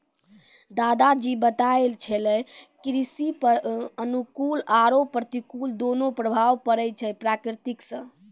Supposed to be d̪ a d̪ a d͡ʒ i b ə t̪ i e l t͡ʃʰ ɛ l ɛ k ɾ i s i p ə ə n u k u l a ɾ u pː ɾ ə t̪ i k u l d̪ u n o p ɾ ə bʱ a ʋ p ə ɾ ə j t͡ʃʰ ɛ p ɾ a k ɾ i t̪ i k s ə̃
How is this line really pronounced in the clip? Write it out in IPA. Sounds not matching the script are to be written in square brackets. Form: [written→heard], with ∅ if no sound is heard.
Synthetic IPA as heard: d̪ a d̪ a d͡ʒ i b ə t̪ [i→a] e l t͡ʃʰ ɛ l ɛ k ɾ i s i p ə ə n u k u l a ɾ [u→o] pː ɾ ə t̪ i k u l d̪ [u→o] n o p ɾ ə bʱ a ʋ p ə ɾ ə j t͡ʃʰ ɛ p ɾ a k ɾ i t̪ i k s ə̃

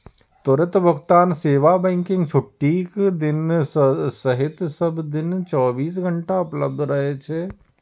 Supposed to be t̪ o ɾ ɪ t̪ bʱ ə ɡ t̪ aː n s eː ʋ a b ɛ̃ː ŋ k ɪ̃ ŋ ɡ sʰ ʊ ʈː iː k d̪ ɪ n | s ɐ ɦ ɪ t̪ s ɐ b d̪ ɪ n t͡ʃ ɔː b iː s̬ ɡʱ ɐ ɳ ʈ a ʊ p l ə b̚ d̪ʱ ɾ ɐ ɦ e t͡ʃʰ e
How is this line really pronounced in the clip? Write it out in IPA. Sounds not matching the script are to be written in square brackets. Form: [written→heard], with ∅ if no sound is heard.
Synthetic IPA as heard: t̪ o ɾ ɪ t̪ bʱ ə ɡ t̪ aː n s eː ʋ a b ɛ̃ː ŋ k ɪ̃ ŋ ɡ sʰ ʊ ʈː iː k d̪ ɪ n | s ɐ ɦ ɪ t̪ s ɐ b d̪ ɪ n t͡ʃ ɔː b iː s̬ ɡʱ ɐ ɳ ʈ a ʊ p l ə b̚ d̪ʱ ɾ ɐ ɦ e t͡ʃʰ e

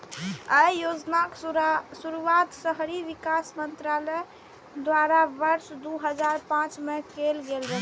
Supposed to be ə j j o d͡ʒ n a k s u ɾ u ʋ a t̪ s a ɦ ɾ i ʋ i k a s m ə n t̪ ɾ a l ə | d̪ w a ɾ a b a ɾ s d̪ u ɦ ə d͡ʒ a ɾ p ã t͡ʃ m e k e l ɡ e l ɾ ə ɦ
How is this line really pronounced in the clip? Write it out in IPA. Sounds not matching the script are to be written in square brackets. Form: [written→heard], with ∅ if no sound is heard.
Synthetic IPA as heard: ə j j o d͡ʒ n a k s u ɾ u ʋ a t̪ s [a→ə] ɦ ɾ i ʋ i k a s m ə n t̪ ɾ a l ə | d̪ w a ɾ a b [a→ə] ɾ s d̪ u ɦ ə d͡ʒ a ɾ p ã t͡ʃ m e k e l ɡ e l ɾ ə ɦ

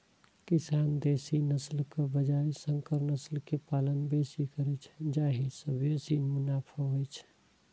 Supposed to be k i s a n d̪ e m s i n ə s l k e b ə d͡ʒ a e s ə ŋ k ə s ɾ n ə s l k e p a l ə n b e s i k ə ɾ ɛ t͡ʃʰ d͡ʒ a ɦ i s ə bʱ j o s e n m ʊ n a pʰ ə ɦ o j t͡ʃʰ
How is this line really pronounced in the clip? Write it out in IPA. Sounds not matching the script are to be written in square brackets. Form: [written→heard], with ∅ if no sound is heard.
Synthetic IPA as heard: k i s a n d̪ e [m→∅] s i n ə s l k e b ə d͡ʒ a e s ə ŋ k ə [s→∅] ɾ n ə s l k e p a l ə n b e s i k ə ɾ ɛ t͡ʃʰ d͡ʒ a ɦ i s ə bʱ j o s [e→i] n m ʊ n a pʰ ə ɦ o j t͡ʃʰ

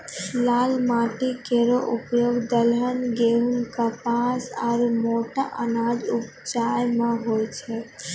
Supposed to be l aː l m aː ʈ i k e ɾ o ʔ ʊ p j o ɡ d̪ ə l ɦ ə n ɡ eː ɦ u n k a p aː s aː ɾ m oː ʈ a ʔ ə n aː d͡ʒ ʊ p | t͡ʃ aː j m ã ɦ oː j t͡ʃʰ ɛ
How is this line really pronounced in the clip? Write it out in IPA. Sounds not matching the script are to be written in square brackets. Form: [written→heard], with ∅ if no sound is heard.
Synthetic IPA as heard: l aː l m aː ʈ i k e ɾ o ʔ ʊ p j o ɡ d̪ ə l ɦ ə n ɡ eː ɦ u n k a p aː s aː ɾ m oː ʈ a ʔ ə n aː d͡ʒ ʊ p | t͡ʃ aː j m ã ɦ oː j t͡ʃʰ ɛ

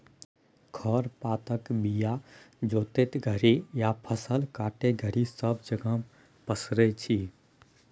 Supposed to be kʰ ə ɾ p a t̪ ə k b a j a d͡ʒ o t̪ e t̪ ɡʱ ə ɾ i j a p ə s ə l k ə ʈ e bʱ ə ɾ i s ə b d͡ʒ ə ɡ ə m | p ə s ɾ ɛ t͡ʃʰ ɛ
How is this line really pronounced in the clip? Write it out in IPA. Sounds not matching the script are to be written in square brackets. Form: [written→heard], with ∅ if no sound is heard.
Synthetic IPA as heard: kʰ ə ɾ p a t̪ ə k b [a→i] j a d͡ʒ o t̪ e t̪ ɡʱ ə ɾ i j a [p→pʰ] ə s ə l k [ə→a] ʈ e [bʱ→ɡʱ] ə ɾ i s ə b d͡ʒ ə ɡ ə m | p ə s ɾ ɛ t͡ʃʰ [ɛ→i]

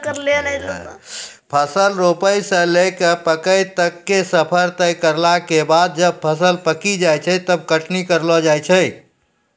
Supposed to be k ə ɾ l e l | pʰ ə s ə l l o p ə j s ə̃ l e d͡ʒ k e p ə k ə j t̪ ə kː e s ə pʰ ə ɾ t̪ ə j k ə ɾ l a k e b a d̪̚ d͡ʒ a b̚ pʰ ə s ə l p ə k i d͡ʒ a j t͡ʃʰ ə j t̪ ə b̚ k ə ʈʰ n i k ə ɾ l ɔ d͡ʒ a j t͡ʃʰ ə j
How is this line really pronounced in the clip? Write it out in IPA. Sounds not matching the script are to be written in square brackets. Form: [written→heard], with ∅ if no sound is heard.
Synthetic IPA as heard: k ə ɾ l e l | pʰ ə s ə l [l→ɾ] o p ə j s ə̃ l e [d͡ʒ→∅] k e p ə k ə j t̪ ə kː e s ə pʰ ə ɾ t̪ ə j k ə ɾ l a k e b a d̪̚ d͡ʒ [a→ə] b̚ pʰ ə s ə l p ə k i d͡ʒ a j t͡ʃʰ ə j t̪ ə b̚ k ə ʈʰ n i k ə ɾ l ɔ d͡ʒ a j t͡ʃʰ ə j

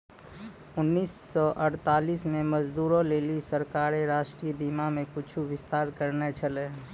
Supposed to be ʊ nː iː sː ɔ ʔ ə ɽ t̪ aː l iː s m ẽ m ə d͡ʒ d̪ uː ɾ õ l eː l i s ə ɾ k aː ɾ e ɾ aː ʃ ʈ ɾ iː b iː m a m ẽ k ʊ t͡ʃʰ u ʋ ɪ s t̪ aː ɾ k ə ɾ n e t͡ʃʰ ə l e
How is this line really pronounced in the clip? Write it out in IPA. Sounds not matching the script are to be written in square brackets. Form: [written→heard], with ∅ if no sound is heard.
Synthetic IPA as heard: ʊ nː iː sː ɔ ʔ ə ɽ t̪ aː l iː s m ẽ m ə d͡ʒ d̪ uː ɾ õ l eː l i s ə ɾ k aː ɾ e ɾ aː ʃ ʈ ɾ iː b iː m a m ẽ k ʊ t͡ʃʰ u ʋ ɪ s t̪ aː ɾ k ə ɾ n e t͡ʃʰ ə l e

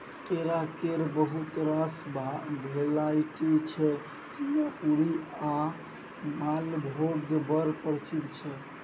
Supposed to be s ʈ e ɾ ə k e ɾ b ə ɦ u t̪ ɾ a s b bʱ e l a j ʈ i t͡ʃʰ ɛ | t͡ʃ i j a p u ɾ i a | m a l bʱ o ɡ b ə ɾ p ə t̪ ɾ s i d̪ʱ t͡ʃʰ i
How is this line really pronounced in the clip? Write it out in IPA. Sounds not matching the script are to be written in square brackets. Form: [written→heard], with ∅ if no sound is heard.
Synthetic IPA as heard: s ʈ e ɾ [ə→a] k e ɾ b ə ɦ u t̪ ɾ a s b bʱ e l a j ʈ i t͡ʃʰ ɛ | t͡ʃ i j a p u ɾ i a | m a l bʱ o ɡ b ə ɾ p ə [t̪→∅] ɾ s i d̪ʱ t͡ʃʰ [i→ɛ]

